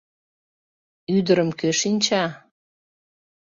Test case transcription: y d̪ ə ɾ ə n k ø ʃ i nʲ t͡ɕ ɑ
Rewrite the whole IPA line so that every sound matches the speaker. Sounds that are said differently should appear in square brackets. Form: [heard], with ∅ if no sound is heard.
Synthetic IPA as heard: y d̪ ə ɾ ə [m] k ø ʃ i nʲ t͡ɕ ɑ